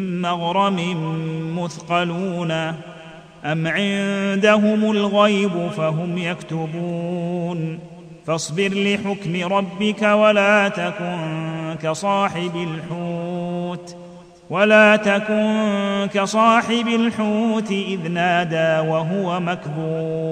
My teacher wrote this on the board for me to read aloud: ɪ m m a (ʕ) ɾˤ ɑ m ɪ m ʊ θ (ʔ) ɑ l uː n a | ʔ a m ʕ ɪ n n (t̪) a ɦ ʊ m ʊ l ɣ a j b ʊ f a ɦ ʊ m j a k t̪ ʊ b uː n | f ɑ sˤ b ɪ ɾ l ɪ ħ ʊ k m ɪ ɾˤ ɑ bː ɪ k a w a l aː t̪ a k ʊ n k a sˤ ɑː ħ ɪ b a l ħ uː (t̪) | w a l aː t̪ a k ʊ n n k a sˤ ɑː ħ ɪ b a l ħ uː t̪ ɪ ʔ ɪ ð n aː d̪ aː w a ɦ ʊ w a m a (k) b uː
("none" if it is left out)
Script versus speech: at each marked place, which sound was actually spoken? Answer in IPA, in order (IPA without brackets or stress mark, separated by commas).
ɣ, q, d̪, t̪, k